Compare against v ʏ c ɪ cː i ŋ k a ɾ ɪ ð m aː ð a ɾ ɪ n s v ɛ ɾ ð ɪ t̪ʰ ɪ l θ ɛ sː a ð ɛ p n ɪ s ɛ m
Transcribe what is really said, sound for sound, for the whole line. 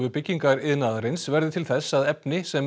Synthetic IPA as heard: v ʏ p ɪ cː i ŋ k a ɾ ɪ ð n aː ð a ɾ ɪ n s v ɛ ɾ ð ɪ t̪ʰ ɪ l θ ɛ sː a ð ɛ p n ɪ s ɛ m